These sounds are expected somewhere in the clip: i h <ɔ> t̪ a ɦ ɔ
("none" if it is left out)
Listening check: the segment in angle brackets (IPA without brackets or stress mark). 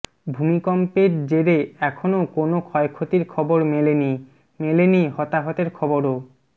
ɔ